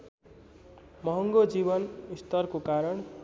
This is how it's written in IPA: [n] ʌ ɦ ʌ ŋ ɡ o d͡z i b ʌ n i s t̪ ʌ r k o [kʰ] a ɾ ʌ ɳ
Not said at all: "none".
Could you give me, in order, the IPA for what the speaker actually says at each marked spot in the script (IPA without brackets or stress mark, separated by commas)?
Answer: m, k